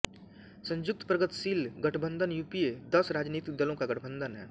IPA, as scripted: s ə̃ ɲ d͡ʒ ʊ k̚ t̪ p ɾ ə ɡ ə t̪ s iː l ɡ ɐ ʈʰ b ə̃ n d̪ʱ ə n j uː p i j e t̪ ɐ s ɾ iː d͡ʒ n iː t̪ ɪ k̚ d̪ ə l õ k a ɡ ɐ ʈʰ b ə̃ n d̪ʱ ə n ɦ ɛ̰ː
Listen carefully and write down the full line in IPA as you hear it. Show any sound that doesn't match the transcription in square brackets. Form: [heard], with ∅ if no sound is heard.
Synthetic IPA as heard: s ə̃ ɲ d͡ʒ ʊ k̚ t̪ p ɾ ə ɡ ə t̪ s iː l ɡ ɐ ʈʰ b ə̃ n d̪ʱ ə n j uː p i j e [d̪] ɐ s ɾ [aː] d͡ʒ n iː t̪ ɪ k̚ d̪ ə l õ k a ɡ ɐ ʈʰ b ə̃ n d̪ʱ ə n ɦ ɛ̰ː